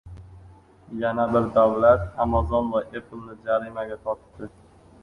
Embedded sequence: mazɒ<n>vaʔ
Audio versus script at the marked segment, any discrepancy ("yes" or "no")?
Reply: no